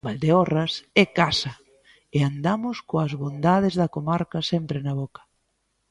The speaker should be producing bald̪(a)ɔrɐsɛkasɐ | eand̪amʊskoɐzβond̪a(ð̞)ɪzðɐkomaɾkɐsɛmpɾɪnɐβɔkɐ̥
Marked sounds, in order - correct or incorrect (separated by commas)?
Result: incorrect, correct